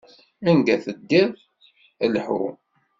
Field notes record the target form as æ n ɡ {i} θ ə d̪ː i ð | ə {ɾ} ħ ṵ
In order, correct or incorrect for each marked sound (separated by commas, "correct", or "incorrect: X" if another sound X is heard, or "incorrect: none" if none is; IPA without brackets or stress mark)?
incorrect: æ, incorrect: l